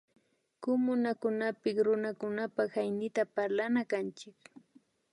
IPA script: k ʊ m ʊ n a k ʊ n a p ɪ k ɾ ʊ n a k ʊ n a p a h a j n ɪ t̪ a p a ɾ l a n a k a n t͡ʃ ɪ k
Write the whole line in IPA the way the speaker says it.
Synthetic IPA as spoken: k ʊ m ʊ n a k ʊ n a p ɪ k ɾ ʊ n a k ʊ n a p a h a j n ɪ t̪ a p a ɾ l a n a k a n t͡ʃ ɪ k